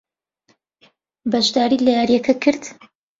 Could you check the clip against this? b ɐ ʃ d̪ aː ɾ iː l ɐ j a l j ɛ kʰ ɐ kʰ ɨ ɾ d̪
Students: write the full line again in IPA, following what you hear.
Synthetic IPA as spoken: b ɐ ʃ d̪ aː ɾ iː l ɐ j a ɾ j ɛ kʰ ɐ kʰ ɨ ɾ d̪